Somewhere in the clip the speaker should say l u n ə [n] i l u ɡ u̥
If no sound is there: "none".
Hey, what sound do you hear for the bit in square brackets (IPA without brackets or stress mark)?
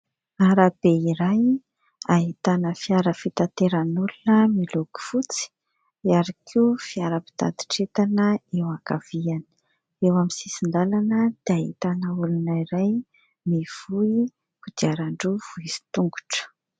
m